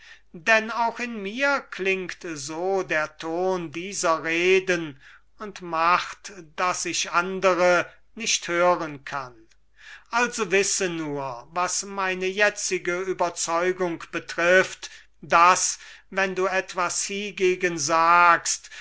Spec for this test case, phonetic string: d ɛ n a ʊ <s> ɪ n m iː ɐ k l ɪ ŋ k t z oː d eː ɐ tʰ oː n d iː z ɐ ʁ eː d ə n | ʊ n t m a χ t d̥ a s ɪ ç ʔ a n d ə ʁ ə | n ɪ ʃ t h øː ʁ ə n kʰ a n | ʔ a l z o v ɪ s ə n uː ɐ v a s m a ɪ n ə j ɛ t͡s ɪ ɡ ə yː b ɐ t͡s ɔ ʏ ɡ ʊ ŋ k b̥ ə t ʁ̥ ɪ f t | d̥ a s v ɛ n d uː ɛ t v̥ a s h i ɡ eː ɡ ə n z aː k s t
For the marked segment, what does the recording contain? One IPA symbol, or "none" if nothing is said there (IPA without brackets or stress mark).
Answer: x